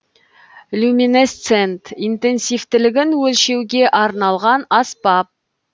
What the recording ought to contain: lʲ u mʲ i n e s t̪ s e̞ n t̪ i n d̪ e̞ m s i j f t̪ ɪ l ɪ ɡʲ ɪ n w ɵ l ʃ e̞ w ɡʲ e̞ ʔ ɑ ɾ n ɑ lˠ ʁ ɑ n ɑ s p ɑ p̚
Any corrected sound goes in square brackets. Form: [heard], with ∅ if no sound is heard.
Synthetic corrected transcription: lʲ u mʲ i n e s t̪ s e̞ n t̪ i n [t̪] e̞ [n] s i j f t̪ ɪ l ɪ ɡʲ ɪ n w ɵ l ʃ e̞ w ɡʲ e̞ ʔ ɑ ɾ n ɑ lˠ ʁ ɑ n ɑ s p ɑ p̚